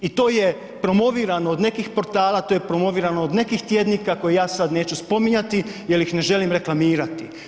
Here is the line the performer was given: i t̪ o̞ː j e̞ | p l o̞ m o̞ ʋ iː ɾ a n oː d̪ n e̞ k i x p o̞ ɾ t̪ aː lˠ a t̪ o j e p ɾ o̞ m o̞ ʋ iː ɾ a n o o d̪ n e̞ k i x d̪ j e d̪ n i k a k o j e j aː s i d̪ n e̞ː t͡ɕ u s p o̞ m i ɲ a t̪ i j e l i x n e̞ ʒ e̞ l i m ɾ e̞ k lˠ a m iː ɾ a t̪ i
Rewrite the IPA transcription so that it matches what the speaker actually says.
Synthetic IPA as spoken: i t̪ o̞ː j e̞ | p ɾ o̞ m o̞ ʋ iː ɾ a n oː d̪ n e̞ k i x p o̞ ɾ t̪ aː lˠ a t̪ o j e p ɾ o̞ m o̞ ʋ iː ɾ a n o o d̪ n e̞ k i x t̪ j e d̪ n i k a k o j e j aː s a d̪ n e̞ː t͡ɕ u s p o̞ m i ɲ a t̪ i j e l i x n e̞ ʒ e̞ l i m ɾ e̞ k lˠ a m iː ɾ a t̪ i